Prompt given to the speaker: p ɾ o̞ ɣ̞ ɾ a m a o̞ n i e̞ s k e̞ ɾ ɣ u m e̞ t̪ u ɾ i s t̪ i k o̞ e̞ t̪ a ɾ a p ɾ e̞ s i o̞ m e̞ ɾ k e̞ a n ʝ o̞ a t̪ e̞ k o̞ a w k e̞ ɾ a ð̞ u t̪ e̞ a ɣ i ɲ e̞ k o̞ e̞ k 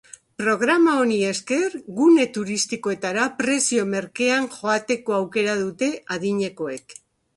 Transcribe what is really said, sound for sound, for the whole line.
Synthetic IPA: p ɾ o̞ ɣ̞ ɾ a m a o̞ n i e̞ s k e̞ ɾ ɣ u n e̞ t̪ u ɾ i s t̪ i k o̞ e̞ t̪ a ɾ a p ɾ e̞ s i o̞ m e̞ ɾ k e̞ a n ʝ o̞ a t̪ e̞ k o̞ a w k e̞ ɾ a ð̞ u t̪ e̞ a ð i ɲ e̞ k o̞ e̞ k